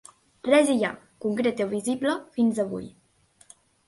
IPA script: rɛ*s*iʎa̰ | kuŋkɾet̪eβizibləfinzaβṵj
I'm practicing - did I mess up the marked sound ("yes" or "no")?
yes